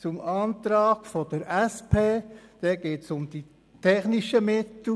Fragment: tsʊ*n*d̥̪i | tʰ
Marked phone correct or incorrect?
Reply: incorrect